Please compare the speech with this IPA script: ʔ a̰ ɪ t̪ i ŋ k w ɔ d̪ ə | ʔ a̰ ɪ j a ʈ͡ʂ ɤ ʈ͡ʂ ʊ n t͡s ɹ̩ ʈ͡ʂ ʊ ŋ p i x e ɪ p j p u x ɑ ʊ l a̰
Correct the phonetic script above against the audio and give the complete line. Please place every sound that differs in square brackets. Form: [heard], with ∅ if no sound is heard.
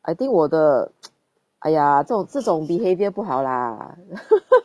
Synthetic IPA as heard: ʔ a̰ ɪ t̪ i ŋ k w ɔ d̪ ə | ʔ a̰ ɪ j a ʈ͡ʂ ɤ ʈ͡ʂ ʊ [ŋ] t͡s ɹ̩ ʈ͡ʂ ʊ ŋ p i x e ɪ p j p u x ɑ ʊ l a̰